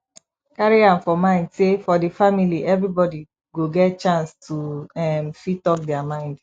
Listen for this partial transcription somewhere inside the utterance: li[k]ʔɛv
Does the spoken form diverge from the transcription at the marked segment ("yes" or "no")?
yes